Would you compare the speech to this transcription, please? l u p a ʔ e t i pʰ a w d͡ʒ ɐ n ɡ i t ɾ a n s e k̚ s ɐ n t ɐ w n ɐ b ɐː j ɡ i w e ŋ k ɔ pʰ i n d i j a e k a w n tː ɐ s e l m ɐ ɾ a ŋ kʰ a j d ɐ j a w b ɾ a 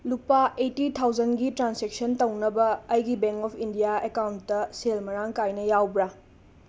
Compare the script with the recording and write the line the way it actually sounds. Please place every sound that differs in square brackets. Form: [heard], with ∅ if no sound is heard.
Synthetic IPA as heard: l u p a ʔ e t i [tʰ] a w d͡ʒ ɐ n ɡ i t ɾ a n s e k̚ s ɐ n t ɐ w n ɐ b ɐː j ɡ i [b] e ŋ k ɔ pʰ i n d i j a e k a w n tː ɐ s e l m ɐ ɾ a ŋ [k] a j [n] ɐ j a w b ɾ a